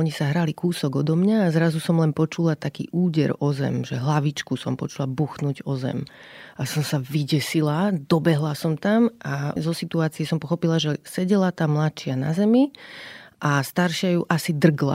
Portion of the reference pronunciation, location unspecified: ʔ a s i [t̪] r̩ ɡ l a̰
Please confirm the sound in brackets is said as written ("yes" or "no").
no